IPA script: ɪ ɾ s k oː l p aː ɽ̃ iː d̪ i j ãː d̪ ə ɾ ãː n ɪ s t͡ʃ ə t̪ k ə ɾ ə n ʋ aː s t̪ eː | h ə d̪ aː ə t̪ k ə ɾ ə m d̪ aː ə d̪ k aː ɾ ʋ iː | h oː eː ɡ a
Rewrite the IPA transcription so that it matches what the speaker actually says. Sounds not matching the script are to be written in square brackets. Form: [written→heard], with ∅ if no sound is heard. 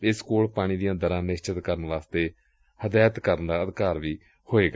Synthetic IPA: ɪ [ɾ→∅] s k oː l p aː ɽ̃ iː d̪ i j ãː d̪ ə ɾ ãː n ɪ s t͡ʃ ə t̪ k ə ɾ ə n ʋ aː s t̪ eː | h ə d̪ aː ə t̪ k ə ɾ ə [m→n] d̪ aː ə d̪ k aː ɾ ʋ iː | h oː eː ɡ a